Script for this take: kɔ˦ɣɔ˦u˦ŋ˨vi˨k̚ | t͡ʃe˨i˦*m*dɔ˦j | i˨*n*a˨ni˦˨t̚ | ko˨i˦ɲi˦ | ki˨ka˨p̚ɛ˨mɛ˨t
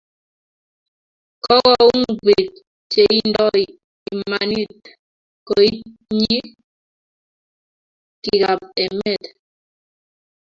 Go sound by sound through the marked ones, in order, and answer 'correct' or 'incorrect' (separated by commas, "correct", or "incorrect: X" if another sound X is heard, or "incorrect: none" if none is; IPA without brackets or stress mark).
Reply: incorrect: n, incorrect: m